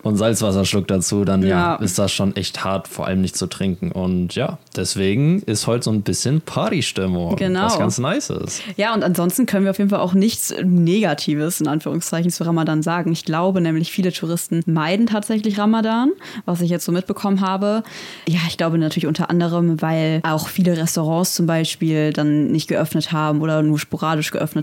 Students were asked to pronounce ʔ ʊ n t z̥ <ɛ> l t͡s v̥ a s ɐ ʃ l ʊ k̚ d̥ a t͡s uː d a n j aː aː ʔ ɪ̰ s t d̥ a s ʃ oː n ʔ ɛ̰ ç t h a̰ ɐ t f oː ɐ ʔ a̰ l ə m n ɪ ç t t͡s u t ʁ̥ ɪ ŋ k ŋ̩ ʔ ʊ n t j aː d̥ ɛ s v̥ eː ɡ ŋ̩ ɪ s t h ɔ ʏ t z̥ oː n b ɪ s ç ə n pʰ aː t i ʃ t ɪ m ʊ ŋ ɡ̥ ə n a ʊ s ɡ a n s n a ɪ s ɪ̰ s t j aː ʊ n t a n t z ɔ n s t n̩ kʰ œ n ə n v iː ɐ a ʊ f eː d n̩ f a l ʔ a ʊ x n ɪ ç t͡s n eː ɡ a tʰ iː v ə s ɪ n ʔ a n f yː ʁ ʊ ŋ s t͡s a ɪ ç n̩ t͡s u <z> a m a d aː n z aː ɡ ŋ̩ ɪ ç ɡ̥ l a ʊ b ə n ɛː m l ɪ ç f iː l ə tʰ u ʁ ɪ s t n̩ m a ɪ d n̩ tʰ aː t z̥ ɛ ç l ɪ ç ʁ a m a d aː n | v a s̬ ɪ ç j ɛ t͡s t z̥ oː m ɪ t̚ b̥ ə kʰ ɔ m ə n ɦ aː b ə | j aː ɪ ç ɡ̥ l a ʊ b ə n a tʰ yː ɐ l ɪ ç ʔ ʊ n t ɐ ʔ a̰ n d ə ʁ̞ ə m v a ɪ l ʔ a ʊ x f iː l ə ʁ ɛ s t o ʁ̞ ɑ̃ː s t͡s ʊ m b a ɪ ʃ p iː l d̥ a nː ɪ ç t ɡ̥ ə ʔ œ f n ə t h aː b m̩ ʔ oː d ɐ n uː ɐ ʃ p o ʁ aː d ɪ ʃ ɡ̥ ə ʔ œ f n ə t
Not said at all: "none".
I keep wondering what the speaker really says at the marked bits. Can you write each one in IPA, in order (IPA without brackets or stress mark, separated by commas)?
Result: a, ʁ